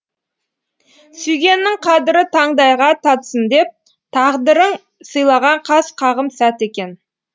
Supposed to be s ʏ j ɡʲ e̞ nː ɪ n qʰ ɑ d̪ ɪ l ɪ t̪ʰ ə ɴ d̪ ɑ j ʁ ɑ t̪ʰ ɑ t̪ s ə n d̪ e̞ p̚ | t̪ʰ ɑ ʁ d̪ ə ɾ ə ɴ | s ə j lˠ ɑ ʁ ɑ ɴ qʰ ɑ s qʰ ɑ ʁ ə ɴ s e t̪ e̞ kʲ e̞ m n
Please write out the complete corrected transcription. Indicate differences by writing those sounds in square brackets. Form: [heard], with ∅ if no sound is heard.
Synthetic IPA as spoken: s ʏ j ɡʲ e̞ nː ɪ [ŋ] qʰ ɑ d̪ ɪ [ɾ] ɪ t̪ʰ [ɑ] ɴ d̪ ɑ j ʁ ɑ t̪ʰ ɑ t̪ s ə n d̪ e̞ p̚ | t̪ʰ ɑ ʁ d̪ ə ɾ ə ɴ | s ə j lˠ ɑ ʁ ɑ ɴ qʰ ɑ s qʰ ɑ ʁ ə [m] s [æ] t̪ e̞ kʲ e̞ [∅] n